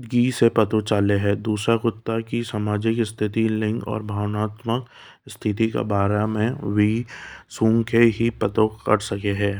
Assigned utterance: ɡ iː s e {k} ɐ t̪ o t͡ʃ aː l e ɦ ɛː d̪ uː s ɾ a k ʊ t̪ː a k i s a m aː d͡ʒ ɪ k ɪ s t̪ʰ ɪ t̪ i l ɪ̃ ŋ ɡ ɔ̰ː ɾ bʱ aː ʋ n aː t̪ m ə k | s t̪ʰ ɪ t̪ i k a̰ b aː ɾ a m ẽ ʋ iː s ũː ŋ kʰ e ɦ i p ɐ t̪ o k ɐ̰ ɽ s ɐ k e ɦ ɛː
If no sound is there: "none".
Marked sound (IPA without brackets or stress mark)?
p